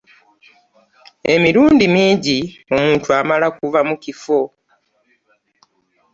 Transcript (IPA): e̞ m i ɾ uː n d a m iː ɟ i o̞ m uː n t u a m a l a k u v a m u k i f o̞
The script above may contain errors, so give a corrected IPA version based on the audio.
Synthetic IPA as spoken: e̞ m i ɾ uː n d i m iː ɟ i o̞ m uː n t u a m a l a k u v a m u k i f o̞